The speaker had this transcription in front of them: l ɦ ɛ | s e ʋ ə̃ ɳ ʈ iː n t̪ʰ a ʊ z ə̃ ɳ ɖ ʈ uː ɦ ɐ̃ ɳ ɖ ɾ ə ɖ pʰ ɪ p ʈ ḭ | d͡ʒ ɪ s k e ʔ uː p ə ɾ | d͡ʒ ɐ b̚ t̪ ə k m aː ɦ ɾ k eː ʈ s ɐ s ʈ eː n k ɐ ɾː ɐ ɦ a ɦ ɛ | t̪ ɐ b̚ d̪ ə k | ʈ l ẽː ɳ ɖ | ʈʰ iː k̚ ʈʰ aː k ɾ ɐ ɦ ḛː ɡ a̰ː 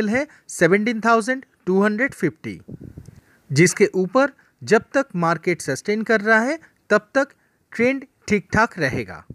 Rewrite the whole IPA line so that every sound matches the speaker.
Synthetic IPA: l ɦ ɛ | s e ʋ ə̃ ɳ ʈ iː n t̪ʰ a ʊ z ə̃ ɳ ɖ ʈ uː ɦ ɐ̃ ɳ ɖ ɾ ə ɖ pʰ ɪ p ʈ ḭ | d͡ʒ ɪ s k e ʔ uː p ə ɾ | d͡ʒ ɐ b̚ t̪ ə k m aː ɾ k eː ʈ s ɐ s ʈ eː n k ɐ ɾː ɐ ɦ a ɦ ɛ | t̪ ɐ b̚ t̪ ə k | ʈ ɾ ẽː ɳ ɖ | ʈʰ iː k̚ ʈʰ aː k ɾ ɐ ɦ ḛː ɡ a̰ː